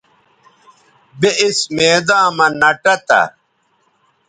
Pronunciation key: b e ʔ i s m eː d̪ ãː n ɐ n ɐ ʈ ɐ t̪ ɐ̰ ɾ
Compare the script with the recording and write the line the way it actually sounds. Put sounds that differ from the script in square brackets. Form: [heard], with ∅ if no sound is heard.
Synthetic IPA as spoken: b e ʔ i s m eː d̪ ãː [m] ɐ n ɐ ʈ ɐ t̪ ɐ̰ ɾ